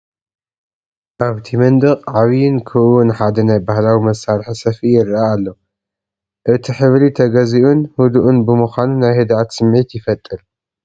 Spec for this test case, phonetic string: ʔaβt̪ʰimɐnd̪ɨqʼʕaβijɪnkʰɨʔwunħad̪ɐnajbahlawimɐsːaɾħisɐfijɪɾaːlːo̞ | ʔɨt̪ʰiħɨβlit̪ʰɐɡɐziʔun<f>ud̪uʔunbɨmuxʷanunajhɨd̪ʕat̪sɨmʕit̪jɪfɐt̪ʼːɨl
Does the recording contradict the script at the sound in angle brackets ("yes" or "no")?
yes